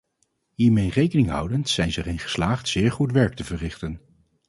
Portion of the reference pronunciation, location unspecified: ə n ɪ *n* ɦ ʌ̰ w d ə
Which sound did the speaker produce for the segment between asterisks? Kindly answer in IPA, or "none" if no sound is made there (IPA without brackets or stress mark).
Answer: ŋ